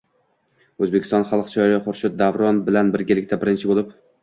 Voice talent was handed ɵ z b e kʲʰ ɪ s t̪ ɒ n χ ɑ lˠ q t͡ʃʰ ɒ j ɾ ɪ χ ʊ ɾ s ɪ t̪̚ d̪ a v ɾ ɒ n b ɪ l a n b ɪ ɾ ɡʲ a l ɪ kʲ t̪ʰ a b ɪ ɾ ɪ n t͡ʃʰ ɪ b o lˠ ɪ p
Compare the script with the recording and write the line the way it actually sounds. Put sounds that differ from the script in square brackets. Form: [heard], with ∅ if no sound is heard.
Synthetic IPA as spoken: ɵ z b e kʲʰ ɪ s t̪ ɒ n χ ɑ lˠ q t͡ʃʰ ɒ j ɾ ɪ χ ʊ ɾ [ʃ] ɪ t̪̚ d̪ a v ɾ ɒ n b ɪ l a n b ɪ ɾ ɡʲ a l ɪ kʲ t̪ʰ a b ɪ ɾ ɪ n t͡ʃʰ ɪ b o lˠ ɪ p